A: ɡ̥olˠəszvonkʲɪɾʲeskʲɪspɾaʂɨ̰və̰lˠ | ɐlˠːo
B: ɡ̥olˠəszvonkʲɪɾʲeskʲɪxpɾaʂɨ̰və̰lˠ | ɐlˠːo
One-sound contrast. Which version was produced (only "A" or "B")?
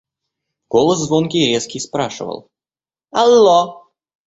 A